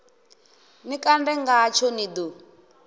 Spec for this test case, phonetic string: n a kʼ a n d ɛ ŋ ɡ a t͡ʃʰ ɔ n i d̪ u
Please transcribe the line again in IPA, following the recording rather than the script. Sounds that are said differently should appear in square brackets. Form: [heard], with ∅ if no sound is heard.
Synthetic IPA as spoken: n [i] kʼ a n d ɛ ŋ ɡ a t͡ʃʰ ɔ n i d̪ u